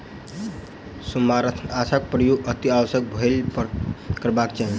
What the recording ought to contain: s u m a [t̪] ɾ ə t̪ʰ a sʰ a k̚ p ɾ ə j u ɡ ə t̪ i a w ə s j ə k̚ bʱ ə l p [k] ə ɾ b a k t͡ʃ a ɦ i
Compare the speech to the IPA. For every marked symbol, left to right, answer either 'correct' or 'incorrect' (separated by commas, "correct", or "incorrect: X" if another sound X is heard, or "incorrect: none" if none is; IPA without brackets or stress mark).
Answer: incorrect: none, correct